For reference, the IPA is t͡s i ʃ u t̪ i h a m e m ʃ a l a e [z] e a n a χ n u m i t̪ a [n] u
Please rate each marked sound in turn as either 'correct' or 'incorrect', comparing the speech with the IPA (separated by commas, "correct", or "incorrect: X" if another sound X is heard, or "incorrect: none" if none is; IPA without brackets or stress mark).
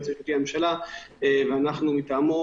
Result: incorrect: v, incorrect: m